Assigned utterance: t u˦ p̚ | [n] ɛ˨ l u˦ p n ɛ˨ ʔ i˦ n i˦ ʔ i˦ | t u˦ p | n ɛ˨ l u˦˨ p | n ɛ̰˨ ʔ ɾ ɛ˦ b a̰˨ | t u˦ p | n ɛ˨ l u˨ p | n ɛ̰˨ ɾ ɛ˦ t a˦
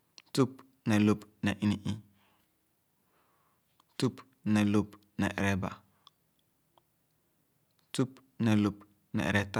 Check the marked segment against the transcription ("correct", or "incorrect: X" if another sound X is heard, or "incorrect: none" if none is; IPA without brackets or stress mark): correct